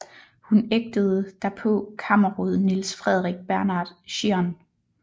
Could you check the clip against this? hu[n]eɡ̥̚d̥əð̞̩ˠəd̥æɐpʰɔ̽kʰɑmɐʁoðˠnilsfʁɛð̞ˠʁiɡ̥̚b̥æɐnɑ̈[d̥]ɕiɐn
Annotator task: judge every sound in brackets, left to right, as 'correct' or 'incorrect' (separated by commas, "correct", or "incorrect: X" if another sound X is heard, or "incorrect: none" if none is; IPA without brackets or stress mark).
correct, correct